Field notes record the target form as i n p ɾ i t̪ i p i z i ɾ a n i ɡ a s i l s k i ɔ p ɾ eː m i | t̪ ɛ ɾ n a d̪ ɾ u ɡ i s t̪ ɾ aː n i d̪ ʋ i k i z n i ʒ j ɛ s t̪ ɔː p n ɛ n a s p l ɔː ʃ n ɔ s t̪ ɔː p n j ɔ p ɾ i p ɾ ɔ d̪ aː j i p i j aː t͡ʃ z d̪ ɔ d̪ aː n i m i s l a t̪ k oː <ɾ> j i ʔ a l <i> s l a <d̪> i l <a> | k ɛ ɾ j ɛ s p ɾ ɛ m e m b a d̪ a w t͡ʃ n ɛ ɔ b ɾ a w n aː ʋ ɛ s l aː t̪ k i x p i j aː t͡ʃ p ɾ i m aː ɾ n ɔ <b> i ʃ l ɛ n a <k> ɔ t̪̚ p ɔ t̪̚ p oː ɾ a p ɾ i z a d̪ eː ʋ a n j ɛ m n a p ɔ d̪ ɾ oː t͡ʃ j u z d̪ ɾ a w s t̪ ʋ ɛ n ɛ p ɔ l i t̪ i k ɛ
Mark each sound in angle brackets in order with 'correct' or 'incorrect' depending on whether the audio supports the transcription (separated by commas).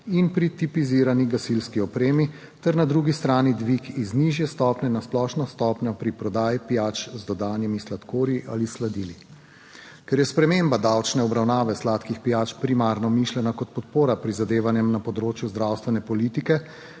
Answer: correct, correct, correct, incorrect, incorrect, correct